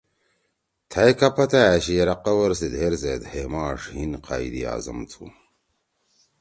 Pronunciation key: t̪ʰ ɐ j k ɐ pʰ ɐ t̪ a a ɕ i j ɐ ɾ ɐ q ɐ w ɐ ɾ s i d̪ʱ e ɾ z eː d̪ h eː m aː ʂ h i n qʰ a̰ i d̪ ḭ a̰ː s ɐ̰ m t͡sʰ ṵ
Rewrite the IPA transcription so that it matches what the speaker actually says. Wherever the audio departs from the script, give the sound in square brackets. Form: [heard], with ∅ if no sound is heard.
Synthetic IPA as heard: t̪ʰ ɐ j k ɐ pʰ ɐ t̪ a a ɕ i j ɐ ɾ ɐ q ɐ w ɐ ɾ s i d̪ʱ e ɾ z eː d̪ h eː m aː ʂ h i n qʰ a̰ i d̪ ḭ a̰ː [z] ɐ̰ m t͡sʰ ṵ